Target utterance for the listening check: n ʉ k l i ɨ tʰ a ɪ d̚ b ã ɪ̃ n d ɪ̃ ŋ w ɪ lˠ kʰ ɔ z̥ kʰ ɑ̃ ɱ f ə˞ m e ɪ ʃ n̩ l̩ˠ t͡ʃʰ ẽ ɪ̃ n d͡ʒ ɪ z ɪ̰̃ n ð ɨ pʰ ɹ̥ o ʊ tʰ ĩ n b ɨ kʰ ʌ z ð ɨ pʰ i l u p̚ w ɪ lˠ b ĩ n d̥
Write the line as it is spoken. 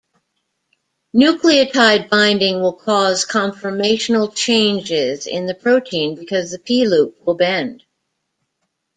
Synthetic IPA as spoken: n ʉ k l i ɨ tʰ a ɪ d̚ b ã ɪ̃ n d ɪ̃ ŋ w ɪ lˠ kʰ ɔ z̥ kʰ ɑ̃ ɱ f ə˞ m e ɪ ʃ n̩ l̩ˠ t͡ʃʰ ẽ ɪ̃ n d͡ʒ ɪ z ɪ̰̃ n ð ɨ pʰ ɹ̥ o ʊ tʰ ĩ n b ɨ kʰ ʌ z ð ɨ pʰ i l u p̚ w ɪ lˠ b ɛ̃ n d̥

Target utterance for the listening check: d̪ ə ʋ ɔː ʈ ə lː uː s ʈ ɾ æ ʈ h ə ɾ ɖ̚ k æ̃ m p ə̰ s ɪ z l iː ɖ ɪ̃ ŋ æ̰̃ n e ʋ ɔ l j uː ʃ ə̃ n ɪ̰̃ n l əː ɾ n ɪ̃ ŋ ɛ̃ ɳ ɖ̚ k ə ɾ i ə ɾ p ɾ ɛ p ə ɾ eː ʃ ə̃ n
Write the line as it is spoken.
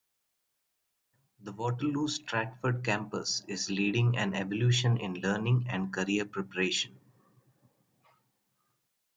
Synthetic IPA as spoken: d̪ ə ʋ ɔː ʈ ə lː uː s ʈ ɾ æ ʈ f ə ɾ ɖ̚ k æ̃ m p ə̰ s ɪ z l iː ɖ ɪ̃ ŋ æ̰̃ n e ʋ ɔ l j uː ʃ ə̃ n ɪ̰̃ n l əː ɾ n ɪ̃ ŋ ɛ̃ ɳ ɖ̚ k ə ɾ i ə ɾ p ɾ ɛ p ə ɾ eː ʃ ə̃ n

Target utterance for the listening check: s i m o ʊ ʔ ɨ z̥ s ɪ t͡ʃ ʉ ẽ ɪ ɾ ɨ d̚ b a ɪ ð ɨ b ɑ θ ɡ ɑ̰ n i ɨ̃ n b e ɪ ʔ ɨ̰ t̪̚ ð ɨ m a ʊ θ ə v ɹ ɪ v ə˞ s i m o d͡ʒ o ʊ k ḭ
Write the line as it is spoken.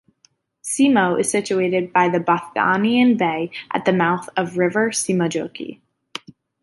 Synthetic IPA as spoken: s i m o ʊ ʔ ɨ z̥ s ɪ t͡ʃ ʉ e ɪ ɾ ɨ d̚ b a ɪ ð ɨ b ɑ θ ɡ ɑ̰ n i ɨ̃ n b e ɪ ʔ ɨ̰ t̪̚ ð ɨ m a ʊ θ ʌ v ɹ ɪ v ə˞ s i m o d͡ʒ o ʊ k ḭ

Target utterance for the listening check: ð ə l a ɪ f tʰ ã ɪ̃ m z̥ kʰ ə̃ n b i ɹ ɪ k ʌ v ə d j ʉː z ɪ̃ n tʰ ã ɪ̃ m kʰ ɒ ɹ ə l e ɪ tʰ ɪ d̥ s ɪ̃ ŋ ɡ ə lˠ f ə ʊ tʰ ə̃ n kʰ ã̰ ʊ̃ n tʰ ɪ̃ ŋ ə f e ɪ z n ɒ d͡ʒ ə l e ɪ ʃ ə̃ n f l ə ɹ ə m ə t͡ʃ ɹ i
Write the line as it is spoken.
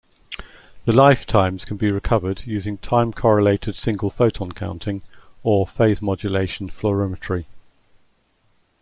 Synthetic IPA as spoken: ð ə l a ɪ f tʰ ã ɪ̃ m z̥ kʰ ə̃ n b i ɹ ɪ kʰ ʌ v ə d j ʉː z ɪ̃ ŋ tʰ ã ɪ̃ m kʰ ɒ ɹ ə l e ɪ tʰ ɪ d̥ s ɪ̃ ŋ ɡ ə lˠ f ə ʊ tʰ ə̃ n kʰ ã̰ ʊ̃ n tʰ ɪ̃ ŋ ə f e ɪ z m ɒ d͡ʒ ə l e ɪ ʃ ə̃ n f l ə ɹ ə m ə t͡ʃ ɹ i

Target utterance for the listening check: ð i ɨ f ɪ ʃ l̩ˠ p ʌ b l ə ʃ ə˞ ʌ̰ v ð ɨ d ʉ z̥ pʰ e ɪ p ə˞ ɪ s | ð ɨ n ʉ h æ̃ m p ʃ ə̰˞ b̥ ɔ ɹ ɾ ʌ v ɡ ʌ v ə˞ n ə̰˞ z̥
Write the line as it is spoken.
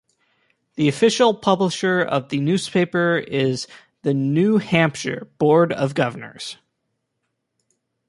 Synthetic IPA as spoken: ð i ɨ f ɪ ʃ l̩ˠ pʰ ʌ b l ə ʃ ə˞ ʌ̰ v ð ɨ n ʉ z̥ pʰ e ɪ p ə˞ ɪ z | ð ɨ n ʉ h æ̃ m p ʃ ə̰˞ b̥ ɔ ɹ ɾ ʌ v ɡ ʌ v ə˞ n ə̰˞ z̥

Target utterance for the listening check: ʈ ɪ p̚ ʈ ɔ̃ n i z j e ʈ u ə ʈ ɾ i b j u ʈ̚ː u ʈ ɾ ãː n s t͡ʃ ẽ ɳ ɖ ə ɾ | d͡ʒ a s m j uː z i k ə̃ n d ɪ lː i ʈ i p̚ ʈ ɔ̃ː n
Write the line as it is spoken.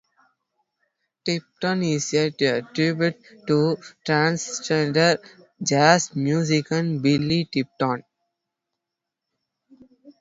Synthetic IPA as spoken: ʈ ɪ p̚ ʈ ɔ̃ n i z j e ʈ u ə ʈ ɾ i b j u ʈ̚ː u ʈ ɾ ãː n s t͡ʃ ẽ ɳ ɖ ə ɾ | d͡ʒ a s m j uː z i k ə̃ n b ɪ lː i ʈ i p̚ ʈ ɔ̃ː n

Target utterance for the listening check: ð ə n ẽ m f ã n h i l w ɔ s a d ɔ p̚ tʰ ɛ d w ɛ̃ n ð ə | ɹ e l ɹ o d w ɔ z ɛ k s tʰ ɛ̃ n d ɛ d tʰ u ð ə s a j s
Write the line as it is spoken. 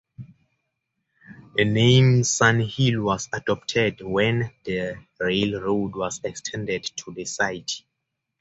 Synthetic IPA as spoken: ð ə n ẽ m s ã n h i l w ɔ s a d ɔ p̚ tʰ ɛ d w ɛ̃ n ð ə | ɹ e l ɹ o d w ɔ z ɛ k s tʰ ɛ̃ n d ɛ d tʰ u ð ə s a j t

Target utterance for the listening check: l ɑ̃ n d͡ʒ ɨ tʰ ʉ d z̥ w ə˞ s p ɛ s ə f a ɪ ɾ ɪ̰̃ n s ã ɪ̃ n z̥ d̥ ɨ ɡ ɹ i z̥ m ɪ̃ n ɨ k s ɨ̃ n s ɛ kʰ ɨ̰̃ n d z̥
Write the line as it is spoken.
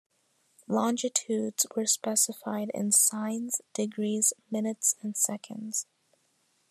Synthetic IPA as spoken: l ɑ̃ n d͡ʒ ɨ tʰ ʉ d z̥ w ə˞ s p ɛ s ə f a ɪ ɾ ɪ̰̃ n s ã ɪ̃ n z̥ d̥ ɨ ɡ ɹ i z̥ m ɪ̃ n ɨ t s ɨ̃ n s ɛ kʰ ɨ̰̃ n d z̥

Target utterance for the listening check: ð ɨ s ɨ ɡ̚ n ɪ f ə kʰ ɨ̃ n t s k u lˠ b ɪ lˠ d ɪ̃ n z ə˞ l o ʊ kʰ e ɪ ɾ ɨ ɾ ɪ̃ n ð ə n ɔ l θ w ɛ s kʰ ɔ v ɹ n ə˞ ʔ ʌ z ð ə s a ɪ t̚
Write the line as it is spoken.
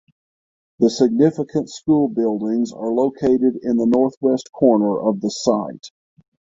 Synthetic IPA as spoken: ð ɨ s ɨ ɡ̚ n ɪ f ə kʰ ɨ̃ n t s k u lˠ b ɪ lˠ d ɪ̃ ŋ z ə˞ l o ʊ kʰ e ɪ ɾ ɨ ɾ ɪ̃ n ð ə n ɔ ɹ θ w ɛ s kʰ ɔ ɹ n ə˞ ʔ ʌ v ð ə s a ɪ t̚

